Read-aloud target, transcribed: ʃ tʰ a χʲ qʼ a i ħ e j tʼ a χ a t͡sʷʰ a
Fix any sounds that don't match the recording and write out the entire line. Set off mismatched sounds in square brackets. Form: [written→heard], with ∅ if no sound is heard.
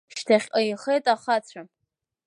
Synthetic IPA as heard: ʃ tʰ a χʲ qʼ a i [ħ→χ] e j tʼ a χ a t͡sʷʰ a